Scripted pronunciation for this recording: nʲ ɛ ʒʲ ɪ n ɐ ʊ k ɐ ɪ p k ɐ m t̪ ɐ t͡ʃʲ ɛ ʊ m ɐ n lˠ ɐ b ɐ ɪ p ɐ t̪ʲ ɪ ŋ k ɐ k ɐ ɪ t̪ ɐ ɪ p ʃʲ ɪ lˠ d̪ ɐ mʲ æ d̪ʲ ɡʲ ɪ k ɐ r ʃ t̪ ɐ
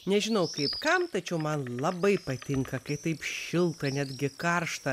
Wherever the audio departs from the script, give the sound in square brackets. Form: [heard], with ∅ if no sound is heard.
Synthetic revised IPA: nʲ ɛ ʒʲ ɪ n ɐ ʊ k ɐ ɪ p k ɐ m t̪ ɐ t͡ʃʲ ɛ ʊ m ɐ n lˠ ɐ b ɐ ɪ p ɐ t̪ʲ ɪ ŋ k ɐ k ɐ ɪ t̪ ɐ ɪ p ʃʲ ɪ lˠ [t̪] ɐ [nʲ] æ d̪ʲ ɡʲ ɪ k ɐ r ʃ t̪ ɐ